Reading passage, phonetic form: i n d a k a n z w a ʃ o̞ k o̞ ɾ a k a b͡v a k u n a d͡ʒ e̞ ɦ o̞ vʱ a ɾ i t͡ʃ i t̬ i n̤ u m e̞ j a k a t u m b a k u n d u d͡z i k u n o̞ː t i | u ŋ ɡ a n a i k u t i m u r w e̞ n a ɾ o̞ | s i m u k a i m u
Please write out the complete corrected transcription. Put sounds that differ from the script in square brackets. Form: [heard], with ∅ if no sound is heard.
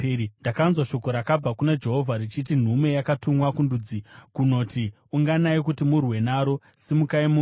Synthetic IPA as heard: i n d a k a n z w a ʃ o̞ k o̞ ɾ a k a b͡v a k u n a d͡ʒ e̞ ɦ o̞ vʱ a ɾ i t͡ʃ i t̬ i n̤ u m e̞ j a k a t u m [w] a k u n d u d͡z i k u n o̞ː t i | u ŋ ɡ a n a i k u t i m u r w e̞ n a ɾ o̞ | s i m u k a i m u